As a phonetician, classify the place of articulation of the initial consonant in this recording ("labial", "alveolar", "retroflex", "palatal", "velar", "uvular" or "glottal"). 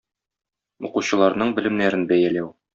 uvular